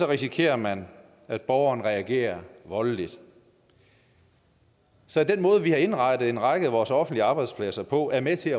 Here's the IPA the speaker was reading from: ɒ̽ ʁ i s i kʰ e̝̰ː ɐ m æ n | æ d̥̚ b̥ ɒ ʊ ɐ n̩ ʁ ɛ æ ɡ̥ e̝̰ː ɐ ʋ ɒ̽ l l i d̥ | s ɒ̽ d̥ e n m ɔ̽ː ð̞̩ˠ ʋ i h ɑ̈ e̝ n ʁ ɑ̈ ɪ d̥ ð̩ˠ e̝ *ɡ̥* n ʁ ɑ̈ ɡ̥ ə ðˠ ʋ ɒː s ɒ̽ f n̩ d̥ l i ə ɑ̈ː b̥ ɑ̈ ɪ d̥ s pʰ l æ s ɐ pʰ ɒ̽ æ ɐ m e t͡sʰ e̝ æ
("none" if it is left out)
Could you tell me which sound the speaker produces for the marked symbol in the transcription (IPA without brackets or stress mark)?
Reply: none